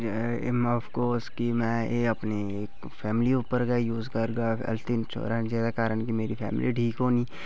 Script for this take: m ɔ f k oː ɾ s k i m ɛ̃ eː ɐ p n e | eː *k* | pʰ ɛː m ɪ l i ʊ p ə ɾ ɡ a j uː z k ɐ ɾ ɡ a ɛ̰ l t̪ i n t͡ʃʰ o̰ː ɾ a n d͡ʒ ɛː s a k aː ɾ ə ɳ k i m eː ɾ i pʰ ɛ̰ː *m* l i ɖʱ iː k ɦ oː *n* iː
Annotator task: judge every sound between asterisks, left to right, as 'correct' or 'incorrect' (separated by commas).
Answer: correct, correct, correct